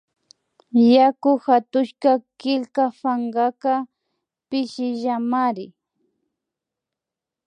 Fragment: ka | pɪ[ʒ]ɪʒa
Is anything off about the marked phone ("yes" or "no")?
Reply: yes